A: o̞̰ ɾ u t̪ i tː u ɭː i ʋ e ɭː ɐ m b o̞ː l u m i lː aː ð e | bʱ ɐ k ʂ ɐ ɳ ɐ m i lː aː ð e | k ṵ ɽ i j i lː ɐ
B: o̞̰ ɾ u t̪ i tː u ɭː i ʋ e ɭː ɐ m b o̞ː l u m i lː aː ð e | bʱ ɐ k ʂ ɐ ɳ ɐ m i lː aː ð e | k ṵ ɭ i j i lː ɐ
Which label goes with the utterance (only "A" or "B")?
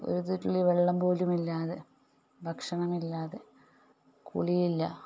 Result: B